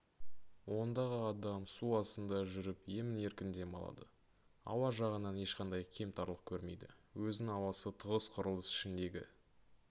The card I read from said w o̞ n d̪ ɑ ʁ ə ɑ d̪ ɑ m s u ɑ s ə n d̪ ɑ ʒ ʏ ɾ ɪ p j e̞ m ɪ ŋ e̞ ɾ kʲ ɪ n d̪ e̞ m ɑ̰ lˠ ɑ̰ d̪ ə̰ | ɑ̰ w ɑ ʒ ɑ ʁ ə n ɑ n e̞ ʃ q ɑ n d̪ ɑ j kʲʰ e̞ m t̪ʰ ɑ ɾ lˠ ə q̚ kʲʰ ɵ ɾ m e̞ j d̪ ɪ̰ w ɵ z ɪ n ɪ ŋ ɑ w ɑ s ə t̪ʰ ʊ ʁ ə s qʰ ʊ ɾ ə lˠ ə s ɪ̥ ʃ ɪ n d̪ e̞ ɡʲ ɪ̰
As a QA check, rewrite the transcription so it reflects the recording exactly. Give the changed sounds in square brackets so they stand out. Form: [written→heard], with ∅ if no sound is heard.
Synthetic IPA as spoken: w o̞ n d̪ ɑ ʁ ə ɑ d̪ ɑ m s u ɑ s ə n d̪ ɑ ʒ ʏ ɾ ɪ p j e̞ m ɪ [ŋ→n] e̞ ɾ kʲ ɪ n d̪ e̞ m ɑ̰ lˠ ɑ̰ d̪ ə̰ | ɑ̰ w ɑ ʒ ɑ ʁ ə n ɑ n e̞ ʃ q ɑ n d̪ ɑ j kʲʰ e̞ m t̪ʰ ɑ ɾ lˠ ə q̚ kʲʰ ɵ ɾ m e̞ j d̪ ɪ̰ w ɵ z ɪ n ɪ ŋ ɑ w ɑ s ə t̪ʰ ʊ ʁ ə s qʰ ʊ ɾ ə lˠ ə s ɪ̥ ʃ ɪ n d̪ e̞ ɡʲ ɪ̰